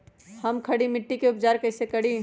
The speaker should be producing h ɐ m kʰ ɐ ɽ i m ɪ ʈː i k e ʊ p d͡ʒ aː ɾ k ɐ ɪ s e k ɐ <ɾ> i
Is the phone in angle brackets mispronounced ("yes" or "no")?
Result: yes